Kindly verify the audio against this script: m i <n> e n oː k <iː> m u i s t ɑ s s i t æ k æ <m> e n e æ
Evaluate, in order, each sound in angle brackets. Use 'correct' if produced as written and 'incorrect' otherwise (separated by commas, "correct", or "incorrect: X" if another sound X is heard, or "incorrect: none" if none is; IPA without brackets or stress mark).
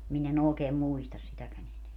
correct, incorrect: eː, incorrect: n